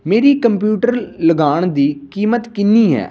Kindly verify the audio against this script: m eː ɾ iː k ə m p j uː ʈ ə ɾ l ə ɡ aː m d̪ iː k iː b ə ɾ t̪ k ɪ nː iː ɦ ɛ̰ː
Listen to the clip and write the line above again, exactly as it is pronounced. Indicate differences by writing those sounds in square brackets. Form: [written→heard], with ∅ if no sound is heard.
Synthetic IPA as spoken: m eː ɾ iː k ə m p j uː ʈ ə ɾ l ə ɡ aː [m→ɳ] d̪ iː k iː [b→m] ə [ɾ→∅] t̪ k ɪ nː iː ɦ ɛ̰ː